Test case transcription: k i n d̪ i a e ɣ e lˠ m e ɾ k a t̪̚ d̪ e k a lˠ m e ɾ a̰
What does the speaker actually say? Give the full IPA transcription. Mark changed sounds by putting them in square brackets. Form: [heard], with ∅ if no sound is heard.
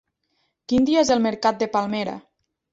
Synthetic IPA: k i n d̪ i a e [z] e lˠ m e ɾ k a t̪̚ d̪ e [p] a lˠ m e ɾ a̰

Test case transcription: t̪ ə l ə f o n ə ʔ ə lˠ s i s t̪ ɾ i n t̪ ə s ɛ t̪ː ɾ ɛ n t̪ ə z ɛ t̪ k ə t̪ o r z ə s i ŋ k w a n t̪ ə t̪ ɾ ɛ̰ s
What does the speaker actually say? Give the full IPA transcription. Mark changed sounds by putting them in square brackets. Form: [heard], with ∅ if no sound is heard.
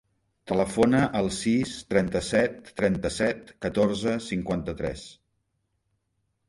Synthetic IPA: t̪ ə l ə f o n ə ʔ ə lˠ s i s t̪ ɾ [ɛ] n t̪ ə s ɛ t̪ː ɾ ɛ n t̪ ə [s] ɛ t̪ k ə t̪ o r z ə s i ŋ k w a n t̪ ə t̪ ɾ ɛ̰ s

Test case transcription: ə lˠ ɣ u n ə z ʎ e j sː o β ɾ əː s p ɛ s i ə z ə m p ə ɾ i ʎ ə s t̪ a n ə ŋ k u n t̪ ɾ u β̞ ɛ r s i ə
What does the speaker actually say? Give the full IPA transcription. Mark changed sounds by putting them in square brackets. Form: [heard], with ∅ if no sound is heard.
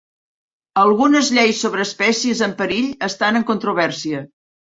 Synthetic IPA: ə lˠ ɣ u n ə z ʎ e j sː o β ɾ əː s p ɛ s i ə z ə m p ə ɾ i ʎ ə s t̪ a n ə ŋ k u n t̪ ɾ u β̞ ɛ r s i ə

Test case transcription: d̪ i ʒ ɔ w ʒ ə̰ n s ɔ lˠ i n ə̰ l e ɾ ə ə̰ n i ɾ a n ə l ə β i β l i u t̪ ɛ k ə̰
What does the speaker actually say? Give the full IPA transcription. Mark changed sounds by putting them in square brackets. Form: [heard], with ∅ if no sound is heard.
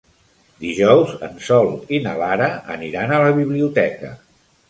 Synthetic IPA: d̪ i ʒ ɔ w [z] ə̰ n s ɔ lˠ i n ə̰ l [a] ɾ ə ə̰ n i ɾ a n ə l ə β i β l i u t̪ ɛ k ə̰

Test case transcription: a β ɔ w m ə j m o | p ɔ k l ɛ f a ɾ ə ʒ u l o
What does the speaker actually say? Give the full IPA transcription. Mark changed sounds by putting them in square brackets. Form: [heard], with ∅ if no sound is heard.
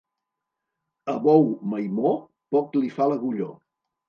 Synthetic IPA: [ə] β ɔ w m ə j m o | p ɔ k l [i] f a [l] ə [ɣ] u [ʎ] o

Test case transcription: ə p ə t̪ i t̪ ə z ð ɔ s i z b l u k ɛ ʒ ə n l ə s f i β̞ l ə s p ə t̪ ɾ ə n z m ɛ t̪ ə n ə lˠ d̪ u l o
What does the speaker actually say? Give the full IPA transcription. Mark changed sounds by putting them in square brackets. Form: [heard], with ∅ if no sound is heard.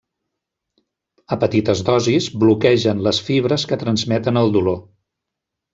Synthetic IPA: ə p ə t̪ i t̪ ə z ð ɔ [z] i z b l u k ɛ ʒ ə n l ə s f i β̞ [ɾ] ə s [k] ə t̪ ɾ ə n z m ɛ t̪ ə n ə lˠ d̪ u l o

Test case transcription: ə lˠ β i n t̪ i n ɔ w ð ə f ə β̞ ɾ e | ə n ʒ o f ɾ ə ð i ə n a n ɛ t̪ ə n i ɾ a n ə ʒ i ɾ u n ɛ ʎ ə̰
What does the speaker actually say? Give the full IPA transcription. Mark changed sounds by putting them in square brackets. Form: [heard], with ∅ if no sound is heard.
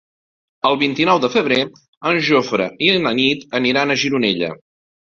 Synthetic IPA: ə lˠ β i n t̪ i n ɔ w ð ə f ə β̞ ɾ e | ə n ʒ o f ɾ ə [∅] i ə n [ə] n [i] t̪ ə n i ɾ a n ə ʒ i ɾ u n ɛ ʎ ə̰

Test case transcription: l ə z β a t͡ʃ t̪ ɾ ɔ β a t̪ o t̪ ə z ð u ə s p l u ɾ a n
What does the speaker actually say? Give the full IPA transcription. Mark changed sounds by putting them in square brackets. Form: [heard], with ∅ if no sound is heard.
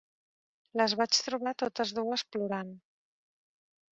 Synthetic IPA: l ə z β a t͡ʃ t̪ ɾ [u] β a t̪ o t̪ ə z ð u ə s p l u ɾ a n

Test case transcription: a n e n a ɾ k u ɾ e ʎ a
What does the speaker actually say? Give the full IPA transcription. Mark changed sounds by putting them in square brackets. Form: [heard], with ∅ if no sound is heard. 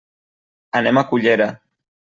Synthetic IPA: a n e [m] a [∅] k u [ʎ] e [ɾ] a

